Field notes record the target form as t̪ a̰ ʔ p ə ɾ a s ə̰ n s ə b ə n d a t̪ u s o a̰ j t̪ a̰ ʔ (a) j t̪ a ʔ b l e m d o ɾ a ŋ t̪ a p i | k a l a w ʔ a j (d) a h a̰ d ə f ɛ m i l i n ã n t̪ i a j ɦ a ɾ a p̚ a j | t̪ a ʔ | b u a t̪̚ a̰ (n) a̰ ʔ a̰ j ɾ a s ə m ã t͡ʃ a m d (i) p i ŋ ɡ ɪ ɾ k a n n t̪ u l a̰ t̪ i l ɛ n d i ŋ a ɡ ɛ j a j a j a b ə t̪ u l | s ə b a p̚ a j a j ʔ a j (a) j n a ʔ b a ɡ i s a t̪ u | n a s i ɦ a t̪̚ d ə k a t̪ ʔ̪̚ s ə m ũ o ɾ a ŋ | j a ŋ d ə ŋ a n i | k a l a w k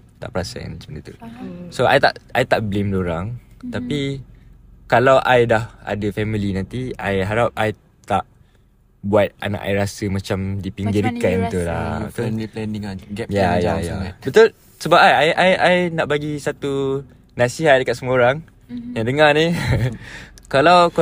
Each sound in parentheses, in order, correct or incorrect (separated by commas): correct, correct, correct, correct, correct